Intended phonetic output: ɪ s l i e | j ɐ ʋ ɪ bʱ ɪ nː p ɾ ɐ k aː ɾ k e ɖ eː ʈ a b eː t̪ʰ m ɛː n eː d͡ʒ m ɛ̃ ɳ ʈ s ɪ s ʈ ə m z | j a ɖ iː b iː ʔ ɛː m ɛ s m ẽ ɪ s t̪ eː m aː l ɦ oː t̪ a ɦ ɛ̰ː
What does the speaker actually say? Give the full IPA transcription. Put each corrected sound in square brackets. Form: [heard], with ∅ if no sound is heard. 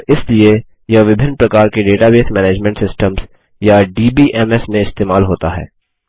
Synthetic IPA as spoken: ɪ s l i e | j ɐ ʋ ɪ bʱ ɪ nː p ɾ ɐ k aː ɾ k e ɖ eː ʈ a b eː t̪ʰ m ɛː n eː d͡ʒ m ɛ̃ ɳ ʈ s ɪ s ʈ ə m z | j a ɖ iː b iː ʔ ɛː m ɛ s m ẽ ɪ s t̪ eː m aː l ɦ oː t̪ a ɦ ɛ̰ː